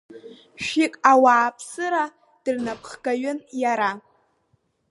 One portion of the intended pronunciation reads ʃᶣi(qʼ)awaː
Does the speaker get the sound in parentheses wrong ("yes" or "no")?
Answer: yes